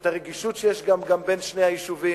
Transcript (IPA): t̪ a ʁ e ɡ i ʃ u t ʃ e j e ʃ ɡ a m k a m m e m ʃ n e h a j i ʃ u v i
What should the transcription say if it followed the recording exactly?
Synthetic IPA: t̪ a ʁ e ɡ i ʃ u t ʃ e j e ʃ ɡ a m ɡ a m b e n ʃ n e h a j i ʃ u v i